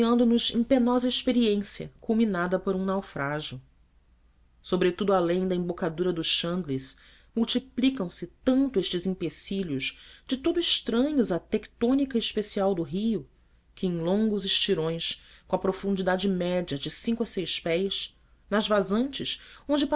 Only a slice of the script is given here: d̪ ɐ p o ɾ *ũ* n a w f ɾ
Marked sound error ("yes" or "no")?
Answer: no